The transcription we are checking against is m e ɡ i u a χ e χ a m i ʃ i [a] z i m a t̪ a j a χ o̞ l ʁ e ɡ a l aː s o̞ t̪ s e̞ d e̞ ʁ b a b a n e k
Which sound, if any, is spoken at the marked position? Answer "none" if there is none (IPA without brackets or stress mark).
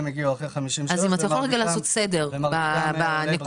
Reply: a